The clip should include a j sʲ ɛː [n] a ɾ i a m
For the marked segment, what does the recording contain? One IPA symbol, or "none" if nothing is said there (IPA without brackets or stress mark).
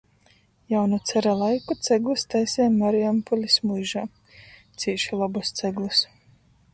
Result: m